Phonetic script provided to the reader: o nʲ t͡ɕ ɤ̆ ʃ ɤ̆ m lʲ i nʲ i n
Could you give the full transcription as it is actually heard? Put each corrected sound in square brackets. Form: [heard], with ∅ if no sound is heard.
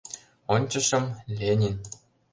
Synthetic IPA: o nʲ t͡ɕ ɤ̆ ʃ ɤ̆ m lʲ [e] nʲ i n